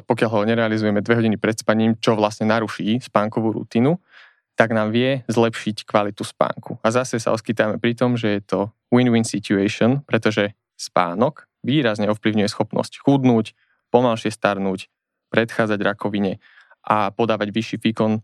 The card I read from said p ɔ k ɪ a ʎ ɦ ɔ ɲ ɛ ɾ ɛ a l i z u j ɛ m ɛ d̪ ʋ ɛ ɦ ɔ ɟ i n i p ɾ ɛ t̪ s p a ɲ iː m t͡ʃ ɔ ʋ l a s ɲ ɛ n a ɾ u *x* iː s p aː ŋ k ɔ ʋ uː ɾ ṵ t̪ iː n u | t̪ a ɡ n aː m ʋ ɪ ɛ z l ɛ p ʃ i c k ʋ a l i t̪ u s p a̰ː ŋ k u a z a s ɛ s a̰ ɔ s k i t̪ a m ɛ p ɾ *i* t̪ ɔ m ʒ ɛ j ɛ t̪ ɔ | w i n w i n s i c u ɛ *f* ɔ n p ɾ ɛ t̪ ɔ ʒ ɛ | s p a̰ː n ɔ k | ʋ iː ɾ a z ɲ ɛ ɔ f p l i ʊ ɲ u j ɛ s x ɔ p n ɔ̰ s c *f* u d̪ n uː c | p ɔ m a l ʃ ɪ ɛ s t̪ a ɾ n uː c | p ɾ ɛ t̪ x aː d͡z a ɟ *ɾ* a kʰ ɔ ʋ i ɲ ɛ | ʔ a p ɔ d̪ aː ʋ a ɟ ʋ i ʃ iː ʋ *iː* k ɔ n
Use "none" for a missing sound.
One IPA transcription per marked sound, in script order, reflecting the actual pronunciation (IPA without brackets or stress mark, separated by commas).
ʃ, i, ʃ, x, ɾ, iː